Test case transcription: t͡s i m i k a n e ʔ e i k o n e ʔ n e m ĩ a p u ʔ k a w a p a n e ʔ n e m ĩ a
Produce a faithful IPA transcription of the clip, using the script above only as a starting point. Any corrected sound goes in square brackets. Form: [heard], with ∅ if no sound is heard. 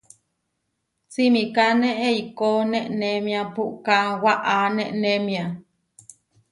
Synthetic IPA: t͡s i m i k a n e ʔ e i k o n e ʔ n e m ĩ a p u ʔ k a w a [ʔ] a n e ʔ n e m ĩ a